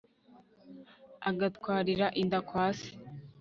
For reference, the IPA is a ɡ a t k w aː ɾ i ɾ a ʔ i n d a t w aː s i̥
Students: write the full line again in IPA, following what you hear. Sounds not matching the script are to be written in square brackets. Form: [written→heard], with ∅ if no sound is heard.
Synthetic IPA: a ɡ a t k w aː ɾ i ɾ a ʔ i n d a [t→k] w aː s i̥